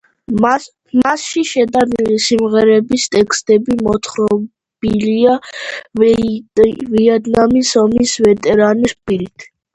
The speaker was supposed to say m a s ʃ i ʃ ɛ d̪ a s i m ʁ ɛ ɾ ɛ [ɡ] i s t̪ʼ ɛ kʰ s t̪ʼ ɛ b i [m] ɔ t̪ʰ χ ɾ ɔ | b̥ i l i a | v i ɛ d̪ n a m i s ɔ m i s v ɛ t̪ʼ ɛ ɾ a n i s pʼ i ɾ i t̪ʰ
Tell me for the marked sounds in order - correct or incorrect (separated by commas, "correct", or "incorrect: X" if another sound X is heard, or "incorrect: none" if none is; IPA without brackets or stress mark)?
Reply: incorrect: b, correct